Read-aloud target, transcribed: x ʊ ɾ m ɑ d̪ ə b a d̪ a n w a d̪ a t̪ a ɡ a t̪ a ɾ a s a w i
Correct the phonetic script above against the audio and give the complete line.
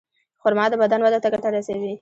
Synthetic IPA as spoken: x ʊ ɾ m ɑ d̪ ə b a d̪ a n w a d̪ a t̪ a ɡ a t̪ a ɾ a s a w i